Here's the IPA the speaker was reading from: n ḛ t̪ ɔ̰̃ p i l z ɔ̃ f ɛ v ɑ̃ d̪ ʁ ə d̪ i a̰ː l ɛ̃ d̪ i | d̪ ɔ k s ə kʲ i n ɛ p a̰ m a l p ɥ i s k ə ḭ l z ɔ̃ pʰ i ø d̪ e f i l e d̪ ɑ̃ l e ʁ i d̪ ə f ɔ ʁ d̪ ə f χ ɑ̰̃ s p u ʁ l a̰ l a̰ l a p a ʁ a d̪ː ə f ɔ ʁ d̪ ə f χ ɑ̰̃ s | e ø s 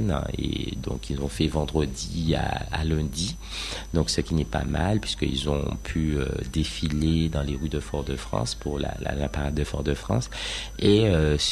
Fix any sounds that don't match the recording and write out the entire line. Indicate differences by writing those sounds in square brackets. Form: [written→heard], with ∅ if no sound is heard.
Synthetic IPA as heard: n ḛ [t̪→d̪] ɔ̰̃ [p→k] i l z ɔ̃ f ɛ v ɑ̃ d̪ ʁ ə d̪ i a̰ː l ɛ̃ d̪ i | d̪ [ɔ→ɔ̃] k s ə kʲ i n ɛ p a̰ m a l p ɥ i s k ə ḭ l z ɔ̃ pʰ [i→y] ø d̪ e f i l e d̪ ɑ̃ l e ʁ [i→y] d̪ ə f ɔ ʁ d̪ ə f χ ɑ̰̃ s p u ʁ l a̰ l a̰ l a p a ʁ a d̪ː ə f ɔ ʁ d̪ ə f χ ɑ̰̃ s | e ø s